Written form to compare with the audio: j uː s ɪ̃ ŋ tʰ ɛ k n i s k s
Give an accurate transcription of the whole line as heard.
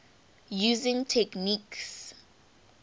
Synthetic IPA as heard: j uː z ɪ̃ ŋ tʰ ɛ k n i k s